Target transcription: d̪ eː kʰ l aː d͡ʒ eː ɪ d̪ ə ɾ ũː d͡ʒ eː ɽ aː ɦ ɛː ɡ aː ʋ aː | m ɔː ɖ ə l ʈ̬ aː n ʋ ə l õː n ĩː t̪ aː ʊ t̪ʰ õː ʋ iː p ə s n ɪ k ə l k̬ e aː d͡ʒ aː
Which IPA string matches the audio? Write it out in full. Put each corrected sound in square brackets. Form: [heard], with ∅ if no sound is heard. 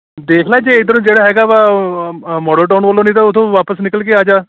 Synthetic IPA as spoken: d̪ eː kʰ l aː d͡ʒ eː ɪ d̪ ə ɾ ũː d͡ʒ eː ɽ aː ɦ ɛː ɡ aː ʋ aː | m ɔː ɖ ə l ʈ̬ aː n ʋ ə l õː n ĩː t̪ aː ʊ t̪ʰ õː ʋ [aː] p ə s n ɪ k ə l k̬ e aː d͡ʒ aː